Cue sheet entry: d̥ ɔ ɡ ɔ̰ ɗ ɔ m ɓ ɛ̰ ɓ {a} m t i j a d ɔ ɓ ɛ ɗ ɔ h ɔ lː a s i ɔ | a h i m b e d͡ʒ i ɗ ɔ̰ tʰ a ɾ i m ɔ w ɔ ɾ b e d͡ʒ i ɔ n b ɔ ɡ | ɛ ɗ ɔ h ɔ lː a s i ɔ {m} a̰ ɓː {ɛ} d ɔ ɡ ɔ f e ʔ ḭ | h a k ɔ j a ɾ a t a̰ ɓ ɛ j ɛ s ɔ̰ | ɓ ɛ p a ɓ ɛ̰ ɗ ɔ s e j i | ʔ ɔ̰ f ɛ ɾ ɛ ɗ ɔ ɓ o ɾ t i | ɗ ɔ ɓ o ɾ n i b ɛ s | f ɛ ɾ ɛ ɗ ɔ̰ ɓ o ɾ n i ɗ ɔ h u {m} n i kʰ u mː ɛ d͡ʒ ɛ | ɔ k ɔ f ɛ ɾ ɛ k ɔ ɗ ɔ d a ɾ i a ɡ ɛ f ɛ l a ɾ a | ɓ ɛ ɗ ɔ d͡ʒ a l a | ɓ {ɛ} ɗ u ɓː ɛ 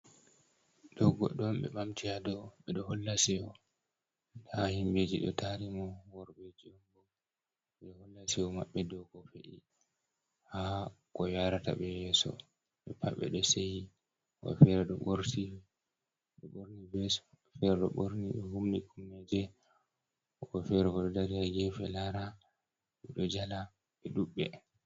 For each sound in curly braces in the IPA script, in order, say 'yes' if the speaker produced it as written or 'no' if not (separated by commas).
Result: yes, yes, yes, yes, yes